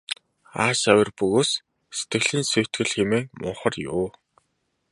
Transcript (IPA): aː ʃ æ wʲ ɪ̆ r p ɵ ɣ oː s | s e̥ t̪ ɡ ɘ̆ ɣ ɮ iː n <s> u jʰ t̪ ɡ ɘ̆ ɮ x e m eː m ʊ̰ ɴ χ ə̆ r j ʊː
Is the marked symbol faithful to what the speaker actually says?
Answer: yes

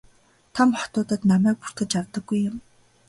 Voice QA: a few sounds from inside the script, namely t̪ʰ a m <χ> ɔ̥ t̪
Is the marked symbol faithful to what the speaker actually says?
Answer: yes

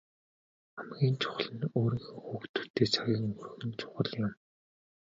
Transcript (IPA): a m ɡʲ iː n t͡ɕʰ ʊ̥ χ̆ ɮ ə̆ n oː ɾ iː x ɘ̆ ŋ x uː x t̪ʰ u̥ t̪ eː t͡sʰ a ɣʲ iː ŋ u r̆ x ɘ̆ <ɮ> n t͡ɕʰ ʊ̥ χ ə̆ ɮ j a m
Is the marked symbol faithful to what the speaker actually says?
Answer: no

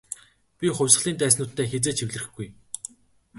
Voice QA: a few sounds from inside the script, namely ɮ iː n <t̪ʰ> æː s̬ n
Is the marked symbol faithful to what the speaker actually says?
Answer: no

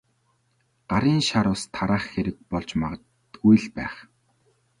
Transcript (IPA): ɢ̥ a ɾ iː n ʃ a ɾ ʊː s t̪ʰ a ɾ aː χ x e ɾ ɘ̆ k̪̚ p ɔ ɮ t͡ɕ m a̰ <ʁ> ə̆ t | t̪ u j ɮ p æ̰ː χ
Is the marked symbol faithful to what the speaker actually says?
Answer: yes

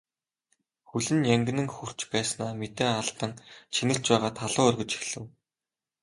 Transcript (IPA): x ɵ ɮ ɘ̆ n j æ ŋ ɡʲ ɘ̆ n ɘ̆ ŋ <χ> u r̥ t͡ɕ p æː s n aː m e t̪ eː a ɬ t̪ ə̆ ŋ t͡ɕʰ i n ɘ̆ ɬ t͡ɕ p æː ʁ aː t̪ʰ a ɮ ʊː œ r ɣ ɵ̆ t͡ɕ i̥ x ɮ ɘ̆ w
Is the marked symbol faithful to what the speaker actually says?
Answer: no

